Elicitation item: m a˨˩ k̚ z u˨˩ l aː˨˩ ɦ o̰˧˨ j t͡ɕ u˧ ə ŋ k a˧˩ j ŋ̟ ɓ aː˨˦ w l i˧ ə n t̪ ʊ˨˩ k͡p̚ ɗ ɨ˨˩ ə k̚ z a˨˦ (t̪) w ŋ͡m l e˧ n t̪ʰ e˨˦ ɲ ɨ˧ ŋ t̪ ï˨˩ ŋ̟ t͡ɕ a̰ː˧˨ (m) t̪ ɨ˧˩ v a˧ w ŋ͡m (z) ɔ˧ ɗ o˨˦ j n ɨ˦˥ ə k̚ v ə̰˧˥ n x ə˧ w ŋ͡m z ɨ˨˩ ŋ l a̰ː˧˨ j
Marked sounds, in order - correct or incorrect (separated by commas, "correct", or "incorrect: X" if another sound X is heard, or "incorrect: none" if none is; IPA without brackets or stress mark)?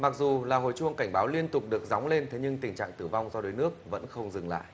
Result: incorrect: none, incorrect: ŋ, correct